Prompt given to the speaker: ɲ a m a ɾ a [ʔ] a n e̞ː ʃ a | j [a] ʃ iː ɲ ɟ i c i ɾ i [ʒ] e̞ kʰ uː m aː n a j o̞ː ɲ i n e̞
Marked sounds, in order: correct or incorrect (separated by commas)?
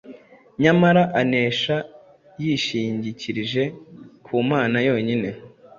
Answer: correct, incorrect, correct